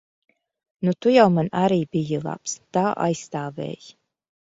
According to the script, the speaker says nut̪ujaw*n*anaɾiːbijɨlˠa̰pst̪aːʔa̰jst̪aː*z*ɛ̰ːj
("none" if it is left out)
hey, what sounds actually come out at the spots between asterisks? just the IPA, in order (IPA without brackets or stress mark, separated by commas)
m, v